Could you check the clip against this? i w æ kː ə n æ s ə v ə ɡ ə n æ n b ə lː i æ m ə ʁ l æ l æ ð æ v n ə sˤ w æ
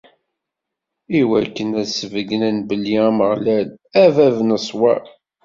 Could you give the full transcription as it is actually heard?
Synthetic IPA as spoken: i w æ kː ə n æ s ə v ə ɡ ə n æ n b ə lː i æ m ə ʁ l æ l æ v æ v n ə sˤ w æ